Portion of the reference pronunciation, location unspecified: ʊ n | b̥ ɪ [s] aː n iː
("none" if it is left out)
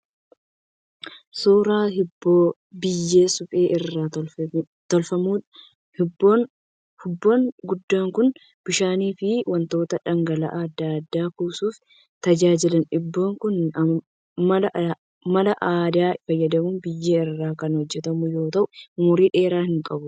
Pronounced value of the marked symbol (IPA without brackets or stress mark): ʃ